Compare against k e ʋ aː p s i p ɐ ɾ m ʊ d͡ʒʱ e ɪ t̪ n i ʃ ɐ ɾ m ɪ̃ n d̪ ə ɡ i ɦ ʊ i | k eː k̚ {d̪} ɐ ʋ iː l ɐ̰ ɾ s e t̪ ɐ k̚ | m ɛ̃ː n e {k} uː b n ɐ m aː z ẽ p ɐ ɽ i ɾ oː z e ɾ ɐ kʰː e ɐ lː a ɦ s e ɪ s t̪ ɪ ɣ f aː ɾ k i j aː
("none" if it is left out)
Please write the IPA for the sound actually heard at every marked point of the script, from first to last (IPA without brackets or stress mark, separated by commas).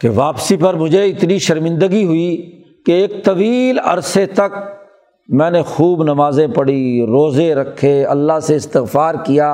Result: t̪, x